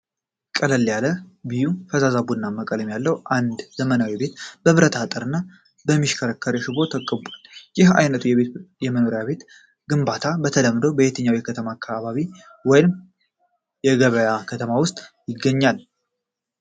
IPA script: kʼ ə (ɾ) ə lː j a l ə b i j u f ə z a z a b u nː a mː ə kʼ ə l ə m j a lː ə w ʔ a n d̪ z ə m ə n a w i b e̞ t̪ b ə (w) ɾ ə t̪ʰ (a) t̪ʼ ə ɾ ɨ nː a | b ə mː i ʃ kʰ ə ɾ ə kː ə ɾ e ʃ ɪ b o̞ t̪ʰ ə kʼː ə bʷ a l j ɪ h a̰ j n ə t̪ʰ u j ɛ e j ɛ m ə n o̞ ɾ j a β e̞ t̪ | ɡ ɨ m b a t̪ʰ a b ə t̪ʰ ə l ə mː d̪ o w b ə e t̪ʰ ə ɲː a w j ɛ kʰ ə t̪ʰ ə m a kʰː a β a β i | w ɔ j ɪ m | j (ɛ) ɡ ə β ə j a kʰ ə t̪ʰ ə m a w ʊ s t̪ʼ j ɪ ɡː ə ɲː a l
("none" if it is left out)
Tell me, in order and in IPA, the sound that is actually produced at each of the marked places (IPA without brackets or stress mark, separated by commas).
l, β, a, ɛ